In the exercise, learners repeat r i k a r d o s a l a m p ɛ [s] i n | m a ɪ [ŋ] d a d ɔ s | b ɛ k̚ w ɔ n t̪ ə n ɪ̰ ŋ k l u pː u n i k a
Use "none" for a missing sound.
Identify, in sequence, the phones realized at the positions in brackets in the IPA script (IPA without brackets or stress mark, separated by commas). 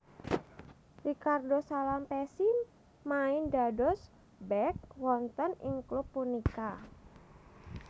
s, n